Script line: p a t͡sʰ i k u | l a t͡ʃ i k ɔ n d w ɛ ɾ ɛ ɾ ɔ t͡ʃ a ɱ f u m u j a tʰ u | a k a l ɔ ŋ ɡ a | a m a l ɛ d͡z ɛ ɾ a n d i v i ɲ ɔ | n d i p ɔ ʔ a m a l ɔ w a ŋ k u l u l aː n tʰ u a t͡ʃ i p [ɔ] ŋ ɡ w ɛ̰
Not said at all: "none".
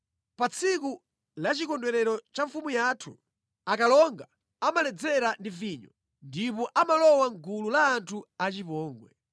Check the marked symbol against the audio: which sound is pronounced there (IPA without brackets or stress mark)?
ɔː